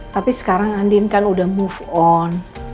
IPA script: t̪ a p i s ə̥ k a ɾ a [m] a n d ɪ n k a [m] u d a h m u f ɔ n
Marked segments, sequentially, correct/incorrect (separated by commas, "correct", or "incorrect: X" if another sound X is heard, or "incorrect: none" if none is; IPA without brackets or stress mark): incorrect: ŋ, incorrect: n